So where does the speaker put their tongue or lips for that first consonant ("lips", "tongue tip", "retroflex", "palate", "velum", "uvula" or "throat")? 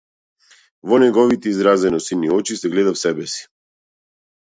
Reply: lips